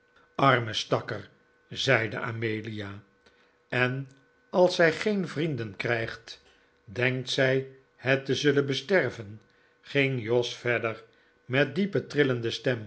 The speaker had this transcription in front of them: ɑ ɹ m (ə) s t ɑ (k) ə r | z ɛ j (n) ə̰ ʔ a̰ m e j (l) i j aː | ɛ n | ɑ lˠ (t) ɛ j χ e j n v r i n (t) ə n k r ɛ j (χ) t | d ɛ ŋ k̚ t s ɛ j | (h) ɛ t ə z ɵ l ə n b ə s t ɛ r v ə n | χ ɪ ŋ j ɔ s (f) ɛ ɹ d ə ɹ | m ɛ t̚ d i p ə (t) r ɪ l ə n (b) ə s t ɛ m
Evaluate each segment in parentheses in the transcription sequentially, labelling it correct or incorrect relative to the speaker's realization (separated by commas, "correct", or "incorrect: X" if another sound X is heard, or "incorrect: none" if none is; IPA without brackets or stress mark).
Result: correct, correct, incorrect: d, correct, incorrect: s, incorrect: d, correct, correct, correct, correct, incorrect: d